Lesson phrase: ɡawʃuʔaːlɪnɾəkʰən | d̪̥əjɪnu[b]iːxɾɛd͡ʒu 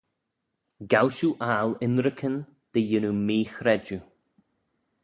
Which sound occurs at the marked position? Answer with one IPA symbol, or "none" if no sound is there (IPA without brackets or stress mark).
m